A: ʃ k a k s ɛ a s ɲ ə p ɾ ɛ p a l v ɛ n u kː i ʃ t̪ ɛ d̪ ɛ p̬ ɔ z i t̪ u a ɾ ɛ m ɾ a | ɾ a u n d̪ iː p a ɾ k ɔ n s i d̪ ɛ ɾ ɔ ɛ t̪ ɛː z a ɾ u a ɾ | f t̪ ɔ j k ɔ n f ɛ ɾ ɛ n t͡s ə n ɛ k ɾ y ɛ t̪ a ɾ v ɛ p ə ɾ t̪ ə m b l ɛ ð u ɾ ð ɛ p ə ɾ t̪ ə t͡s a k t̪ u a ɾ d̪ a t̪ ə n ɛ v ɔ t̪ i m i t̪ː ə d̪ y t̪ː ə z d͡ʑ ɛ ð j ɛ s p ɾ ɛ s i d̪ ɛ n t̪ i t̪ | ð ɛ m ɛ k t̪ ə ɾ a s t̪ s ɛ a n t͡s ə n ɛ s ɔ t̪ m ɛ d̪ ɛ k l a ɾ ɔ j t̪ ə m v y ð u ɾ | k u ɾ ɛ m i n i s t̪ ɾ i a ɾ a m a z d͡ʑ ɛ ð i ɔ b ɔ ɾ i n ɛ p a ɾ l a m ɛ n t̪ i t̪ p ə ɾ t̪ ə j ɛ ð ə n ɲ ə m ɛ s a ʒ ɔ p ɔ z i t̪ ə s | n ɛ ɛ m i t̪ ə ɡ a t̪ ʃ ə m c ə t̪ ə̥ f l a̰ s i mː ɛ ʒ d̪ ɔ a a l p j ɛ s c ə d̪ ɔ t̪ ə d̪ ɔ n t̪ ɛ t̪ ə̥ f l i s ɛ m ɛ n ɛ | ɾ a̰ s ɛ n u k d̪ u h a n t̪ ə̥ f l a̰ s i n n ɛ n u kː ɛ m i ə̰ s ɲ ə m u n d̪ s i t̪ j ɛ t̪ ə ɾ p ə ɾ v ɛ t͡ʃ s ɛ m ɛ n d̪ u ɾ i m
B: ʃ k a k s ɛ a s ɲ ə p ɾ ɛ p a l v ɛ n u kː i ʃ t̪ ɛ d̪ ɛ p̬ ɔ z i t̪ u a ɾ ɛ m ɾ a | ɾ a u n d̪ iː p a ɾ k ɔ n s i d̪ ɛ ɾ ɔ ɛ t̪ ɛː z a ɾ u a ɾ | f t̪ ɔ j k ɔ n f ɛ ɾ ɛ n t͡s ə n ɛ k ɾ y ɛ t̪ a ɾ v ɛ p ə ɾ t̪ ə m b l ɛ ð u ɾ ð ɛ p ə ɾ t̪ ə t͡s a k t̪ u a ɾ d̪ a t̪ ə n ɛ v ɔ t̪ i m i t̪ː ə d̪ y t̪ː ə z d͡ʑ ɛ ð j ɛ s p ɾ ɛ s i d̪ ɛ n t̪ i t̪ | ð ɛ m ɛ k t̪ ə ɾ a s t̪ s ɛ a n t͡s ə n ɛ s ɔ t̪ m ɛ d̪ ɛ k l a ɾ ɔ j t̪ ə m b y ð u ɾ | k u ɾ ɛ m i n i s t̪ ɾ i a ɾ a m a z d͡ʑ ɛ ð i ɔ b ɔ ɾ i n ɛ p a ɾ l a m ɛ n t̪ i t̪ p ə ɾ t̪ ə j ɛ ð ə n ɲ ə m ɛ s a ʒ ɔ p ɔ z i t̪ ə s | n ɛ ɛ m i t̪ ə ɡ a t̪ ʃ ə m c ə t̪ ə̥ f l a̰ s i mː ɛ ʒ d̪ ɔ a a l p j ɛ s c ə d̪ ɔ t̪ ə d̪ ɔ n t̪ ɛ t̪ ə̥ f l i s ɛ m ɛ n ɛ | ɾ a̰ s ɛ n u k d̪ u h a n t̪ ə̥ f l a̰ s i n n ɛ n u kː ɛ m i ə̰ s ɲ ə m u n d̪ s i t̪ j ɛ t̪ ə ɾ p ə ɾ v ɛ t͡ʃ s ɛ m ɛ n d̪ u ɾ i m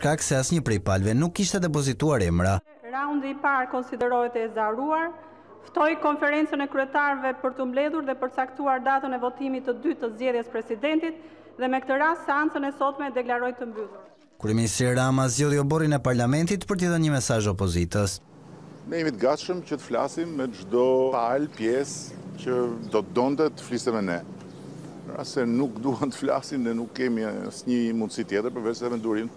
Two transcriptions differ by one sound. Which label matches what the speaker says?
B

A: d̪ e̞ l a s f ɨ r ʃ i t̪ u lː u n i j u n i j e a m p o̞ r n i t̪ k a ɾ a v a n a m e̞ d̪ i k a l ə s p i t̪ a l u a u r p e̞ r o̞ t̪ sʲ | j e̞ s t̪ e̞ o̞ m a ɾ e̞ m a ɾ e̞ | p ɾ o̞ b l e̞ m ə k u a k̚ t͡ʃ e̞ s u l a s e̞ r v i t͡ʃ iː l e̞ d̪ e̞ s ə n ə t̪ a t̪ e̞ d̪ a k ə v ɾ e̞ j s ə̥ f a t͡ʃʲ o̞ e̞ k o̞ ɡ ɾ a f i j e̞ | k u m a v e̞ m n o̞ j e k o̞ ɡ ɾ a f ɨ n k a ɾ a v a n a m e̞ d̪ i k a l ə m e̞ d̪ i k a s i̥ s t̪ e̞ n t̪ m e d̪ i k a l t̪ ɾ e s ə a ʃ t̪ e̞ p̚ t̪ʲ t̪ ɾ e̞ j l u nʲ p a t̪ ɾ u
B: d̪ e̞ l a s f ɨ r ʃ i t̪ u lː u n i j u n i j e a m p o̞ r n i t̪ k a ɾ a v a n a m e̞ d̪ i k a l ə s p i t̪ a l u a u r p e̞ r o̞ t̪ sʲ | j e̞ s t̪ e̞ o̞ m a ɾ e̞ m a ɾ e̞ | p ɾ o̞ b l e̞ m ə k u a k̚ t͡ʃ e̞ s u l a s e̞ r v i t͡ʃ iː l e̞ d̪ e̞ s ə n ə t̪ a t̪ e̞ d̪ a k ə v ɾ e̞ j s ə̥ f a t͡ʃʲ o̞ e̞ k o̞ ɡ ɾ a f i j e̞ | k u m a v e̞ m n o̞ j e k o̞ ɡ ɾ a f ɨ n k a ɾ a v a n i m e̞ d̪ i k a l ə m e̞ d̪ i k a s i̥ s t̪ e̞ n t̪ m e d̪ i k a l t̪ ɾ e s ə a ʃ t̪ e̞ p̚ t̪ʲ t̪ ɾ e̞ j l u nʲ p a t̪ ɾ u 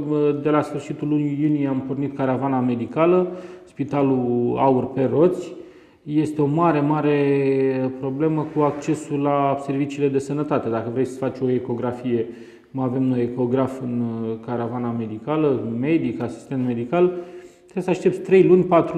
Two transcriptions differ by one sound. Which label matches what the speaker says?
A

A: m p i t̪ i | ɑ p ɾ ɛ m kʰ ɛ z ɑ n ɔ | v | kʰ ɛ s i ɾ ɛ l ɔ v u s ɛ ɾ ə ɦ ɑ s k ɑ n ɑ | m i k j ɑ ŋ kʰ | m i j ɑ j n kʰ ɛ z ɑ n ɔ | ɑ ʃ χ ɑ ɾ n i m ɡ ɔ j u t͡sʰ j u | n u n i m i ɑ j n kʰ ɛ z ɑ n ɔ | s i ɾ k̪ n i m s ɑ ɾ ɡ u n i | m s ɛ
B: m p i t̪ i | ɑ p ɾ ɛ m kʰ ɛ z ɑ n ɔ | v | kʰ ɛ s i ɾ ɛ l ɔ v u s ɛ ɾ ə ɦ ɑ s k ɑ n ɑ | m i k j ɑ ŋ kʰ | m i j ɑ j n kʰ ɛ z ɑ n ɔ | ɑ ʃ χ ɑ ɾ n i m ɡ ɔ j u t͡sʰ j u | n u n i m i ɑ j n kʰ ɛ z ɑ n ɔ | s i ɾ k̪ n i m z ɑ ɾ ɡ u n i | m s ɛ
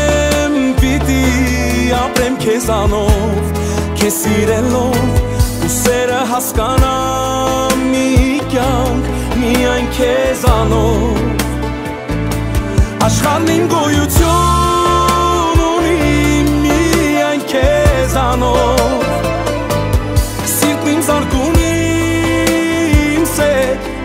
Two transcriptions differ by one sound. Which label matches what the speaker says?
B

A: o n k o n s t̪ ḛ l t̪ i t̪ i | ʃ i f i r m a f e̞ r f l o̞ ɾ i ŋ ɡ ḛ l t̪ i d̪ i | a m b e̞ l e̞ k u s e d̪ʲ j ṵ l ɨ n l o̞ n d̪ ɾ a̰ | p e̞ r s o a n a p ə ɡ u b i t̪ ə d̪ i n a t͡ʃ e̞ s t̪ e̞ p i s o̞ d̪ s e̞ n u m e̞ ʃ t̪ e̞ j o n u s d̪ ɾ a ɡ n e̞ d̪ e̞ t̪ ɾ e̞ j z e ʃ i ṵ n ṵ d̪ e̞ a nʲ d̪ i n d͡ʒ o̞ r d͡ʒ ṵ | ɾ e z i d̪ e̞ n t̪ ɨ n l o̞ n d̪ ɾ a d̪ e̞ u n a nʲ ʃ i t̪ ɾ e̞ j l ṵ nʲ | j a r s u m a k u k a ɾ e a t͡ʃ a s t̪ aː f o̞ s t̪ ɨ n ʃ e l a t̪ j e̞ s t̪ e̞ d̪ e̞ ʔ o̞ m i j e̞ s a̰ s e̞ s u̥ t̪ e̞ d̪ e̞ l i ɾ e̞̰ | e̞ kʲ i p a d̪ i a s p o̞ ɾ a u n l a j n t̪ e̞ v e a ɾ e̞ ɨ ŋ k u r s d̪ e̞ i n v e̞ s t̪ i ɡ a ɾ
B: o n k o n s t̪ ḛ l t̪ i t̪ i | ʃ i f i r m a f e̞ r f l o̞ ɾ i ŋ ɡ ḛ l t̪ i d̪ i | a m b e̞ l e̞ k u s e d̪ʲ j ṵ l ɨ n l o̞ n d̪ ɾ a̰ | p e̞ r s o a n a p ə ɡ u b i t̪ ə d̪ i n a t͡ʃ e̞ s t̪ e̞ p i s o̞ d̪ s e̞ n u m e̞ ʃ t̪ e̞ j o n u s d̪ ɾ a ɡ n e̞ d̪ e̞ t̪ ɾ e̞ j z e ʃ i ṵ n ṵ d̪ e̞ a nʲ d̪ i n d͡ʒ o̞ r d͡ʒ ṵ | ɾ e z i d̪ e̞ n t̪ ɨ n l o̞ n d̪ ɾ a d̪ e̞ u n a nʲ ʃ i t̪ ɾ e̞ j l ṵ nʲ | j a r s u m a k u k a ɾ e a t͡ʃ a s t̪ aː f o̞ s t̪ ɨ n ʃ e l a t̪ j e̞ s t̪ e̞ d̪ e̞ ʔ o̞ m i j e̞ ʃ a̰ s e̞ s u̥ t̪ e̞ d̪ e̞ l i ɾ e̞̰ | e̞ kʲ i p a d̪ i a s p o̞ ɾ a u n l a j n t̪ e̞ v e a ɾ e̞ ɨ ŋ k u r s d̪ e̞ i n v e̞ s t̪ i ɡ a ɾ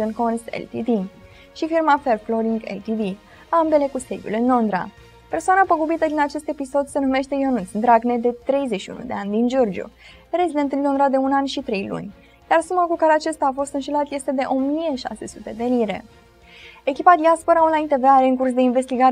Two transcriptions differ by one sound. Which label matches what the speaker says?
B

